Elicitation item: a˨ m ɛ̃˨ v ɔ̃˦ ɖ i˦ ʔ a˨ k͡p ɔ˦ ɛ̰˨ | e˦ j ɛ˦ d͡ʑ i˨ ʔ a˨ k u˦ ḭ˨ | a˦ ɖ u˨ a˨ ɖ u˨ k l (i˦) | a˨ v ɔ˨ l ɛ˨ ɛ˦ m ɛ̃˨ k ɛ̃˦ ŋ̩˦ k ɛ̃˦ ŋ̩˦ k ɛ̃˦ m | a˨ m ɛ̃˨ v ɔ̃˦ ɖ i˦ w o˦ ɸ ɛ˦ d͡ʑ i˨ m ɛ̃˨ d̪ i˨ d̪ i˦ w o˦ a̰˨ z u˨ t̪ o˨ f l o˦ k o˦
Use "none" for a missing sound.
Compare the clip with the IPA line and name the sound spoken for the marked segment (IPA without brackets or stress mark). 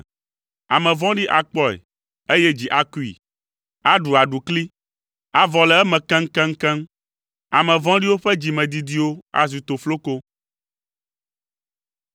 i˦